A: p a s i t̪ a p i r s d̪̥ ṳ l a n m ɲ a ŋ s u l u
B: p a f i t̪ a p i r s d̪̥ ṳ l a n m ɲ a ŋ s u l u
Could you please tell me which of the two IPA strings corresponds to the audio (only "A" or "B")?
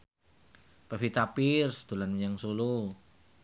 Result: B